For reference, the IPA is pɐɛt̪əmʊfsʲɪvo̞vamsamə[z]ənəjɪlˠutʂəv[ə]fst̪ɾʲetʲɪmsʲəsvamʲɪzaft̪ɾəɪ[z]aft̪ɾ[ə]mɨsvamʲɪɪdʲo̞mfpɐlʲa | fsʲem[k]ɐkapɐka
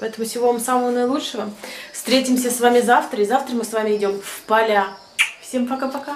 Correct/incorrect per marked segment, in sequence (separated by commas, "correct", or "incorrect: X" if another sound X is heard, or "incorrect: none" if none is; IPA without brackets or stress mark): incorrect: v, correct, correct, correct, incorrect: p